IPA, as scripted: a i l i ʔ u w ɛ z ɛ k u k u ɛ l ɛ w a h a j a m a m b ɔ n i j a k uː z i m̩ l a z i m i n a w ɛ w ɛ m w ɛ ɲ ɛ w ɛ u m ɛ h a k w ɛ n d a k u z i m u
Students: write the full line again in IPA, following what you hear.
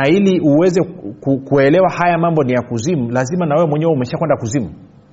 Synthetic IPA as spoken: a i l i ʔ u w ɛ z ɛ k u k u ɛ l ɛ w a h a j a m a m b ɔ n i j a k u z i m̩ l a z i m a n a w ɛ w ɛ m w ɛ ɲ ɛ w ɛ u m ɛ ʃ a k w ɛ n d a k u z i m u